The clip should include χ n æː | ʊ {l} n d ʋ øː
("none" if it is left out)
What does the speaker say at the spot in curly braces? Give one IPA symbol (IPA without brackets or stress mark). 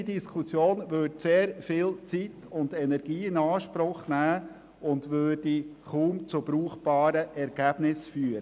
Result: none